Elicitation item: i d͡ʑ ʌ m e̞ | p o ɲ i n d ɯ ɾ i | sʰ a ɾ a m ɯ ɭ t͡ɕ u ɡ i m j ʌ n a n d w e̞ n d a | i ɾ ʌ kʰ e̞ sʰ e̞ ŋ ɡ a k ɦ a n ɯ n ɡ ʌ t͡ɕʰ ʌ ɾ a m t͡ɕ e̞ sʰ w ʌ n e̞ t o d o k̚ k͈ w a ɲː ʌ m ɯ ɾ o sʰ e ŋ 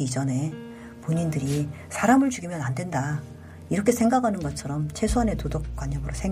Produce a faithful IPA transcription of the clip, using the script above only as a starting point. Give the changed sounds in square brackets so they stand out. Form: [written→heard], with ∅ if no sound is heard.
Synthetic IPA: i d͡ʑ ʌ [m→n] e̞ | p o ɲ i n d ɯ ɾ i | sʰ a ɾ a m ɯ ɭ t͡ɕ u ɡ i m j ʌ n a n d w e̞ n d a | i ɾ ʌ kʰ e̞ sʰ e̞ ŋ ɡ a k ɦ a n ɯ n ɡ ʌ t͡ɕʰ ʌ ɾ [a→ʌ] m [t͡ɕ→t͡ɕʰ] e̞ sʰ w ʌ n e̞ t o d o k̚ k͈ w a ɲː ʌ m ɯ ɾ o sʰ e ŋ